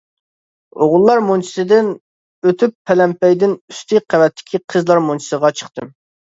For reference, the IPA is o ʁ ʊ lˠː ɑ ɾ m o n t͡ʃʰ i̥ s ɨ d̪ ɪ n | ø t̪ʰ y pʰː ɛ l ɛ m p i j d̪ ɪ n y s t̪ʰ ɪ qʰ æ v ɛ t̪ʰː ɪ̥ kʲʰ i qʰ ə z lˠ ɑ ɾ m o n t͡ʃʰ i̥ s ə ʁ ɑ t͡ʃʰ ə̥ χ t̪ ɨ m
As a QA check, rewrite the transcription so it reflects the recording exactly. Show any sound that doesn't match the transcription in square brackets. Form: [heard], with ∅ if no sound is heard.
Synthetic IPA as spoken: o ʁ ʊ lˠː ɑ ɾ m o n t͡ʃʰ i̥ s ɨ d̪ ɪ n | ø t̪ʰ y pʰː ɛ l ɛ m p [ɛ] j d̪ ɪ n y s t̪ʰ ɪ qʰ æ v ɛ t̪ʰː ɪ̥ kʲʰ i qʰ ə z lˠ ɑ ɾ m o n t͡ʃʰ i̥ s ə ʁ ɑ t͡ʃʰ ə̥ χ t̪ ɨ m